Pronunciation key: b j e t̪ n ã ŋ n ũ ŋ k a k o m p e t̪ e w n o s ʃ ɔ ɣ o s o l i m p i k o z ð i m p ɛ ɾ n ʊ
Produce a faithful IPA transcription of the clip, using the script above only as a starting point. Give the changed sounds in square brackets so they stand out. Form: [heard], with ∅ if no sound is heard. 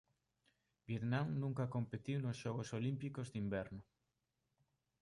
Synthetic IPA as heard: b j e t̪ n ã ŋ n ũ ŋ k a k o m p e t̪ [i] w n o s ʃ ɔ ɣ o s o l i m p i k o z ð i m [b] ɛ ɾ n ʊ